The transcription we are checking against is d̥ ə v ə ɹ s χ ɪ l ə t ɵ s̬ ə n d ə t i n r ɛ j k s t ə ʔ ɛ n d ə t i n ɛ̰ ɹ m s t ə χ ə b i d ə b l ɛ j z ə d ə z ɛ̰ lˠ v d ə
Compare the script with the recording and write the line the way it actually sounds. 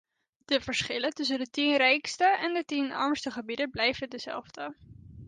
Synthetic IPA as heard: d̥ ə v ə ɹ s χ ɪ l ə t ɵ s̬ ə n d ə t i n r ɛ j k s t ə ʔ ɛ n d ə t i n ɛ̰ ɹ m s t ə χ ə b i d ə b l ɛ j v ə d ə z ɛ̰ lˠ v d ə